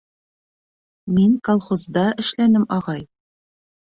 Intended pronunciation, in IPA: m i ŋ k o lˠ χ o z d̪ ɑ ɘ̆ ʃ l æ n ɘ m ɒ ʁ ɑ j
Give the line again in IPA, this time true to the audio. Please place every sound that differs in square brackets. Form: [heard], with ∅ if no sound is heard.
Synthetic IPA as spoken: m i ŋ k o lˠ χ o z d̪ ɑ ɘ̆ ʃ l æ n ɘ m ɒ ʁ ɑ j